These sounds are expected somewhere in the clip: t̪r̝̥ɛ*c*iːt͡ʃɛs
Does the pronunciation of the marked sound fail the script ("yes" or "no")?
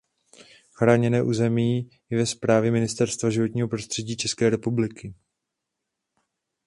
yes